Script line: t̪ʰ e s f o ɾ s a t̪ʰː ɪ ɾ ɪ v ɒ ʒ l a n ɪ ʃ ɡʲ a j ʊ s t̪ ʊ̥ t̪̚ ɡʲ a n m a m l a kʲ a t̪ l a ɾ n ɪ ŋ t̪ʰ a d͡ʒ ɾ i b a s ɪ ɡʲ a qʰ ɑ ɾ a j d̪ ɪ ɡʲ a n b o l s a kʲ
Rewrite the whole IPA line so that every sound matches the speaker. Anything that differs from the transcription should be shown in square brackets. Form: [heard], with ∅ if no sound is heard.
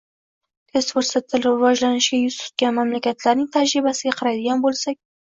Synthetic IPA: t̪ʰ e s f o ɾ s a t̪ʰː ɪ [l] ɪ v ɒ ʒ l a n ɪ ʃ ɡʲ a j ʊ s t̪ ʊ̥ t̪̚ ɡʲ a n m a m l a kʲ a t̪ l a ɾ n ɪ ŋ t̪ʰ a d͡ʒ ɾ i b a s ɪ ɡʲ a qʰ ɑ ɾ a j d̪ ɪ ɡʲ a n b o l s a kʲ